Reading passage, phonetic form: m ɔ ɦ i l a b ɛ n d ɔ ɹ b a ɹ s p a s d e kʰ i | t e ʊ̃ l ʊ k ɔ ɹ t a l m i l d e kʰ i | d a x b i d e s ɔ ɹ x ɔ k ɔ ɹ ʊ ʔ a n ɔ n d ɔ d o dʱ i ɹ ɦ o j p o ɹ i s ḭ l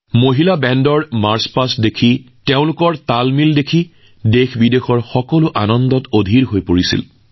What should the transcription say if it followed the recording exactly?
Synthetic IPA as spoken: m o ɦ i l a b ɛ n d ɔ ɹ m a ɹ s p a s d e kʰ i | t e ʊ̃ l ʊ k ɔ ɹ t a l m i l d e kʰ i | d e x b i d e x ɔ ɹ x ɔ k ɔ l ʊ ʔ a n ɔ n d ɔ t o dʱ i ɹ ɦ o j p o ɹ i s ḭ l